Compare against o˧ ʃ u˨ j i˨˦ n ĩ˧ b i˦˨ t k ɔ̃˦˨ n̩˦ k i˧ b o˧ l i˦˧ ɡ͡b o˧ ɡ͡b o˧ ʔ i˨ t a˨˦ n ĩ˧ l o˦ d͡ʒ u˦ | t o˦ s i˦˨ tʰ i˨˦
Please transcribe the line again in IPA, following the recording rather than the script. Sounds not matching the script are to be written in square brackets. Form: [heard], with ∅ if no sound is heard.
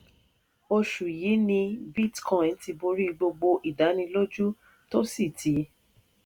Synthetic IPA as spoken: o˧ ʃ u˨ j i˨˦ n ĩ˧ b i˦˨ t k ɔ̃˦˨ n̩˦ [t] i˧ b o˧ [ɾ] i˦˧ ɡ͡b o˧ ɡ͡b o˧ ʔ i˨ [d] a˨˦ n ĩ˧ l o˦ d͡ʒ u˦ | t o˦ s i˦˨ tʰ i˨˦